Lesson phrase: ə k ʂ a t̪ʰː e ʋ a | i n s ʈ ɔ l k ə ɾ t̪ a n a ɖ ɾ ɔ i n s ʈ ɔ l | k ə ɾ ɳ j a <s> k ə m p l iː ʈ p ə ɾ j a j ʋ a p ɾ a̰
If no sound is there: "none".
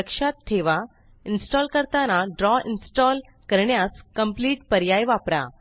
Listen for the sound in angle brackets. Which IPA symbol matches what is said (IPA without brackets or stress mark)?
s